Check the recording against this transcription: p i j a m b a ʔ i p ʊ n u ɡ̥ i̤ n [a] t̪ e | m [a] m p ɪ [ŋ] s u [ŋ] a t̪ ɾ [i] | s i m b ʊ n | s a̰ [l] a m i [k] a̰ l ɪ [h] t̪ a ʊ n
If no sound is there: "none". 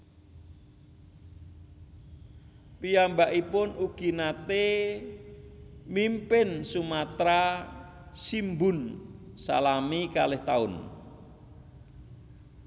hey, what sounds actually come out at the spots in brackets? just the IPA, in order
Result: a, i, n, m, a, l, k, h

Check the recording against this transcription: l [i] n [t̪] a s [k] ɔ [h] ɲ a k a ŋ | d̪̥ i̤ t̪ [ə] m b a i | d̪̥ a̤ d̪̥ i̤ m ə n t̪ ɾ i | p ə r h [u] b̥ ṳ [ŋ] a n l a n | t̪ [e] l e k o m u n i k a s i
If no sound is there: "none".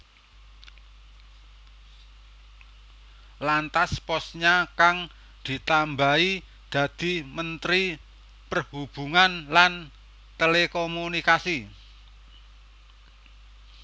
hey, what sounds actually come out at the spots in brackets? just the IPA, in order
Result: a, t̪, p, s, a, u, ŋ, e

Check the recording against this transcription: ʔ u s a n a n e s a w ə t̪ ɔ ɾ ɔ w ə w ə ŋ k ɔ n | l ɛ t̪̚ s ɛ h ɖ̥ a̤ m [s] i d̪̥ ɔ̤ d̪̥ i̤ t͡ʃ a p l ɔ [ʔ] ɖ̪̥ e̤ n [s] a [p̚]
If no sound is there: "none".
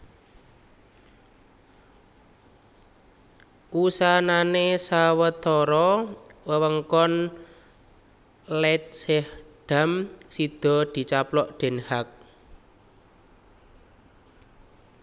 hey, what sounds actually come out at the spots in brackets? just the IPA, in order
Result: s, ʔ, h, k̚

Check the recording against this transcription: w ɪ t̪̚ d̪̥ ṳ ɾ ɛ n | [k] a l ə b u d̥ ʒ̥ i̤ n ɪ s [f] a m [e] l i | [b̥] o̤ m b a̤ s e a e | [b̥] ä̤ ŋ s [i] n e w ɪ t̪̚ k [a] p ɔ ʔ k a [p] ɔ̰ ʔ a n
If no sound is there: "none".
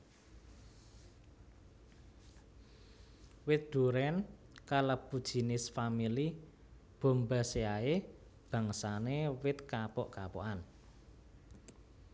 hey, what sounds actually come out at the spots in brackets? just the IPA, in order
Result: k, f, i, b̥, b̥, a, a, p

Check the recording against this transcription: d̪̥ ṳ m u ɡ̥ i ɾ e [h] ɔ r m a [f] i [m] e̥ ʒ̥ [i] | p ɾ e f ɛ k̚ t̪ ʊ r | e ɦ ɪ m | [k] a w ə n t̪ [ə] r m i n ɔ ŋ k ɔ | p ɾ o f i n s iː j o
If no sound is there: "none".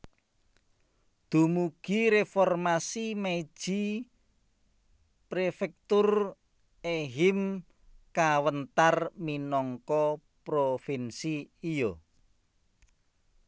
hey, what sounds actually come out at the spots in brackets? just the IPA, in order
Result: f, s, m, i, k, a

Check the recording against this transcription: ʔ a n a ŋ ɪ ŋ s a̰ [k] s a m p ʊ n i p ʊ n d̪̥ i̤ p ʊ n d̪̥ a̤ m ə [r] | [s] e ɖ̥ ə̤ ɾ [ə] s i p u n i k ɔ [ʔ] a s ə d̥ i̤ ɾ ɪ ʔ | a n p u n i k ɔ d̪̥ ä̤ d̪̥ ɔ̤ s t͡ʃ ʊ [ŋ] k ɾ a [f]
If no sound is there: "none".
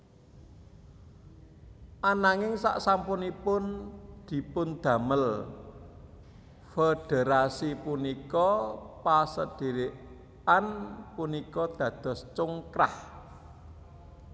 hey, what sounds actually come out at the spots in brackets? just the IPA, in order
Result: ʔ, l, f, a, p, ŋ, h

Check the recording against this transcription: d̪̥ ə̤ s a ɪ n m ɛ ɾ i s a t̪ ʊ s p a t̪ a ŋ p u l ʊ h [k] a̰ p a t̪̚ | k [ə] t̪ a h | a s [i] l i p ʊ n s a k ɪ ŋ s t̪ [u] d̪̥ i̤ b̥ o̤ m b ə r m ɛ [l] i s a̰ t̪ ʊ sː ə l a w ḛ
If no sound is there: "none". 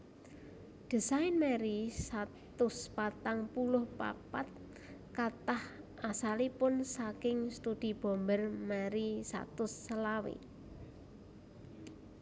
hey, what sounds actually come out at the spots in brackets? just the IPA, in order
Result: p, a, a, u, ɾ

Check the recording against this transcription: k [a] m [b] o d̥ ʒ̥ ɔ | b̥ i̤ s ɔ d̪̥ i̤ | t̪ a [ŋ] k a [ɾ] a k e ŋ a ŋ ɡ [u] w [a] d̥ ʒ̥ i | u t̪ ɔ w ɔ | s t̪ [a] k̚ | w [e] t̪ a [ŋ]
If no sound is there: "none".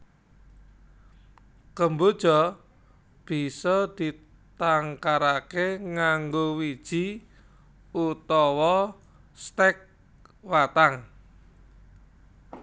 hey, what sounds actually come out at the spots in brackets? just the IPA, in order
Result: ə, b, ŋ, ɾ, o, i, ɛ, a, ŋ

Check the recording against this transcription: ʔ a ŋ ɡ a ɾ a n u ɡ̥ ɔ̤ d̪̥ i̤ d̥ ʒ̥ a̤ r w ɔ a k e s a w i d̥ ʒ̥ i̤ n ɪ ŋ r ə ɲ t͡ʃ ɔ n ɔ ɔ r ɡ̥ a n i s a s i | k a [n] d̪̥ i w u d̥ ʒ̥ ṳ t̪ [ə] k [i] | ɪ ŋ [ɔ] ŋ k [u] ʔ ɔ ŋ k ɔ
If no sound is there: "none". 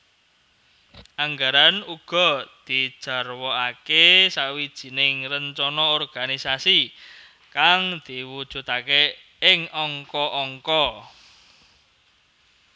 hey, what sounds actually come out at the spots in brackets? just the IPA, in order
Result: ŋ, a, e, ɔ, ɔ

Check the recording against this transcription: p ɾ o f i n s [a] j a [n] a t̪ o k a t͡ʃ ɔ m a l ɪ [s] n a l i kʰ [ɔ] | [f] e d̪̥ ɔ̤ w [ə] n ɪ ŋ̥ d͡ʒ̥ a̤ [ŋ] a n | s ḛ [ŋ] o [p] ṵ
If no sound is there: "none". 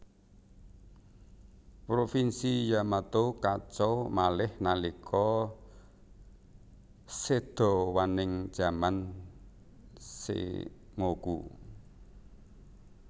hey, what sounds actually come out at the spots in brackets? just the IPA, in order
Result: i, m, h, ɔ, s, a, m, ŋ, k

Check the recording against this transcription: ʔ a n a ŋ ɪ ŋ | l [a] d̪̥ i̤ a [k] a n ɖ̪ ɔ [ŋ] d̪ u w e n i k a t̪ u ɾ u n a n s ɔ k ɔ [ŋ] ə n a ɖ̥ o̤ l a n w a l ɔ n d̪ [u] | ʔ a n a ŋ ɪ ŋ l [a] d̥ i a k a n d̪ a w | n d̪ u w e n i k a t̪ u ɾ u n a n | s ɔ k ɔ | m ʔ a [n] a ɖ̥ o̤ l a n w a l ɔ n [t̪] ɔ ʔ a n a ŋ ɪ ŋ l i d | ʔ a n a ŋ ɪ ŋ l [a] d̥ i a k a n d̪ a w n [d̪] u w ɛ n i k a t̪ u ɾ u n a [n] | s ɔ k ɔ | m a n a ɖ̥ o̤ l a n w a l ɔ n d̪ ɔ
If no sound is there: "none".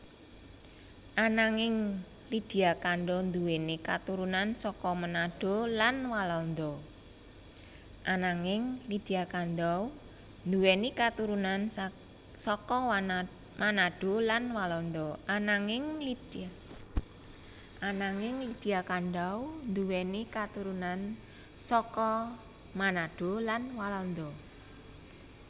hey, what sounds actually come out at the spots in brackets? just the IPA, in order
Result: i, k, n, m, ɔ, i, n, d̪, i, d̪, n

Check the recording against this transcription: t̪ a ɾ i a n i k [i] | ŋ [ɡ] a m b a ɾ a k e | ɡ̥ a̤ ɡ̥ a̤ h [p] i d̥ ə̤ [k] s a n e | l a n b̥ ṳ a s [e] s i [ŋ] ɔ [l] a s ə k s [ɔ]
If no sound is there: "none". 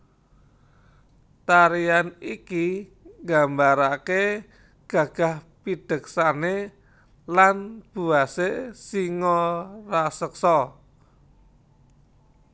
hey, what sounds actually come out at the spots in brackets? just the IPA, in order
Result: i, ɡ, p, k, e, ŋ, r, ɔ

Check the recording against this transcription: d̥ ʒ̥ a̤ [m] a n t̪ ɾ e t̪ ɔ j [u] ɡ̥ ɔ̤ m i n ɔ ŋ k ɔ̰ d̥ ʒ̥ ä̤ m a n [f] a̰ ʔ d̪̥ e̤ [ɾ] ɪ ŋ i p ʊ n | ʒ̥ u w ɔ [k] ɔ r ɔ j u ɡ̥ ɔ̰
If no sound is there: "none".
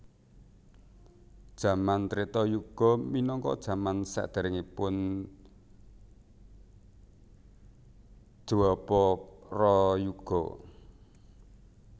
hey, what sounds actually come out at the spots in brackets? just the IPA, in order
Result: m, u, s, ɾ, p

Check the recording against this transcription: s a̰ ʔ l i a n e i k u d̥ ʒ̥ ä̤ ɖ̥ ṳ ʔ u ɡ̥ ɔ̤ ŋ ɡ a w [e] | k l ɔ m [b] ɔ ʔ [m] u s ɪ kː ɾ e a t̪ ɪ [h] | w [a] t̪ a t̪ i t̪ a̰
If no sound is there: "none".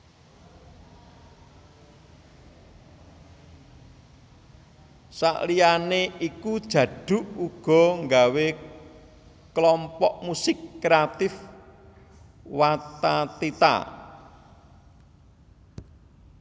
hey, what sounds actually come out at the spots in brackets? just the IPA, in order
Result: e, p, m, f, a

